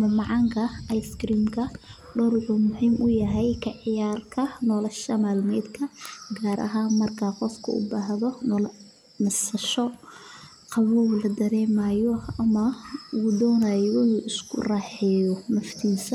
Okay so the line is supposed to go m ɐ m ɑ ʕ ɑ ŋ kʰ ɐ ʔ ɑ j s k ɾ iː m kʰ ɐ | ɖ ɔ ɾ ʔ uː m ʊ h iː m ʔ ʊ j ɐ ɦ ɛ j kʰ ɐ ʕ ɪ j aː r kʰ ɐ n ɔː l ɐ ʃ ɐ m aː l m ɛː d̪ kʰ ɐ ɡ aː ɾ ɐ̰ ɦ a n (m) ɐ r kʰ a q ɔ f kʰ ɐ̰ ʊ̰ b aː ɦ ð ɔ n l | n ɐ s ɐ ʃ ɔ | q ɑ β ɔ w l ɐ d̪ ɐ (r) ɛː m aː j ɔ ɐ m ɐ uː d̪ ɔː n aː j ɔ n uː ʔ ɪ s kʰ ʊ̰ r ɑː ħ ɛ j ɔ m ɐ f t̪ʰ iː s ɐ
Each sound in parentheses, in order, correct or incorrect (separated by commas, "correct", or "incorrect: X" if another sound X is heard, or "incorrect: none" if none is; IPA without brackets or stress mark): correct, incorrect: ɾ